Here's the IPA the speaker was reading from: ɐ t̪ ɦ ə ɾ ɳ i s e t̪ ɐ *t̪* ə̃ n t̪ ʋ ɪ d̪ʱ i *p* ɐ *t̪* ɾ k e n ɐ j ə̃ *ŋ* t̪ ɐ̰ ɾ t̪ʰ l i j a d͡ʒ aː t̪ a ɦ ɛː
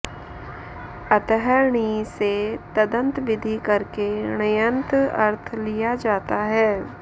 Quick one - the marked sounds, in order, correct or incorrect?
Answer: incorrect: d̪, incorrect: k, incorrect: none, incorrect: n

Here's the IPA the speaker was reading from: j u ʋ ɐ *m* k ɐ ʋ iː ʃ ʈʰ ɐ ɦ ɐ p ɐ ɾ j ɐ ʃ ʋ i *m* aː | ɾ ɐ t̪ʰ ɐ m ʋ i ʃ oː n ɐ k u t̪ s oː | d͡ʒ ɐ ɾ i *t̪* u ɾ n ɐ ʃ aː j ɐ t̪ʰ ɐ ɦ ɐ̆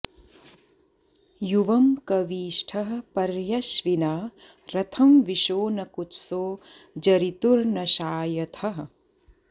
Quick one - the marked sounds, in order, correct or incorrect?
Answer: correct, incorrect: n, correct

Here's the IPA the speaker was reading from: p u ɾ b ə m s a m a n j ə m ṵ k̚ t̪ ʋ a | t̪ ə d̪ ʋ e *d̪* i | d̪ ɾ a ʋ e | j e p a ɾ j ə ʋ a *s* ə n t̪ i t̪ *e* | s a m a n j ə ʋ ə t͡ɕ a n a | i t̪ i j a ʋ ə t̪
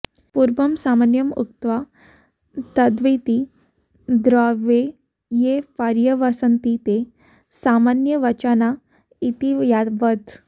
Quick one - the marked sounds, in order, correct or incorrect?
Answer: incorrect: t̪, correct, correct

